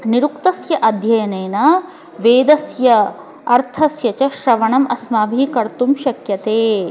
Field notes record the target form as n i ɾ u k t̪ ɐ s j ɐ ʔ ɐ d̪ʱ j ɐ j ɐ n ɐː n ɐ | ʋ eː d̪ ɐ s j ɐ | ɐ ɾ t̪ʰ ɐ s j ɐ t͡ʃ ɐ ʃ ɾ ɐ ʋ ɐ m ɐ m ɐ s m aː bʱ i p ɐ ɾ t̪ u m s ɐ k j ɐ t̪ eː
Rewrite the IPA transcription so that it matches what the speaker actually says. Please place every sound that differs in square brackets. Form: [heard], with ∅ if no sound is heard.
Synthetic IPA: n i ɾ u k t̪ ɐ s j ɐ ʔ ɐ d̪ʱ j ɐ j ɐ n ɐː n ɐ | ʋ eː d̪ ɐ s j ɐ | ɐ ɾ t̪ʰ ɐ s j ɐ t͡ʃ ɐ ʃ ɾ ɐ ʋ ɐ [ɳ] ɐ m ɐ s m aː bʱ i [k] ɐ ɾ t̪ u m [ʃ] ɐ k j ɐ t̪ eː